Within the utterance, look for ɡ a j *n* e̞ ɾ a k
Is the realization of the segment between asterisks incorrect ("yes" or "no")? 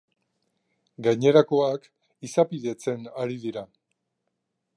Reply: yes